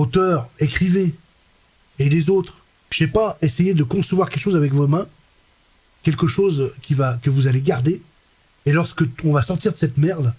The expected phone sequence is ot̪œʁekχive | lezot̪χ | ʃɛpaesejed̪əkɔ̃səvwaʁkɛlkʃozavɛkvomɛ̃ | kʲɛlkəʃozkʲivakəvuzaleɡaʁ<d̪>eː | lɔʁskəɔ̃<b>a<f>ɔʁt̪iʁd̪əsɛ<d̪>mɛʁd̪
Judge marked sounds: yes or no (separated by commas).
yes, no, no, no